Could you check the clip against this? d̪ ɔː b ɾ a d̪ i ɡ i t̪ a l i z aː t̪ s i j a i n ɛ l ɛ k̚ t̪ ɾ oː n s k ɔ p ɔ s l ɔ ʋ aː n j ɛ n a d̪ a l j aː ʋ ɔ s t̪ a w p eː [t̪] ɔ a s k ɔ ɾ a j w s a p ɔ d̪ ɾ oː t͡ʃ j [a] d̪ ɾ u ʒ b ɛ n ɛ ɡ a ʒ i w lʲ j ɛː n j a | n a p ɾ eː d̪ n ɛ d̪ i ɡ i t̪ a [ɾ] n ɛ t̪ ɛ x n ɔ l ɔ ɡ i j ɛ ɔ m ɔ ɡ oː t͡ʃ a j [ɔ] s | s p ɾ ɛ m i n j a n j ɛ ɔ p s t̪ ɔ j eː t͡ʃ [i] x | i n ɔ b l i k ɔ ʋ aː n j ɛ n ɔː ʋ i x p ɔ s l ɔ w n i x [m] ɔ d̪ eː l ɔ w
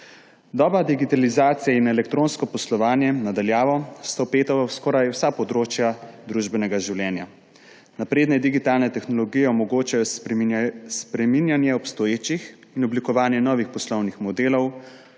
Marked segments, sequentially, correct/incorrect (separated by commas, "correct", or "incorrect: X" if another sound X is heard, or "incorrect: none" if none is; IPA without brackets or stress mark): correct, correct, incorrect: l, correct, correct, correct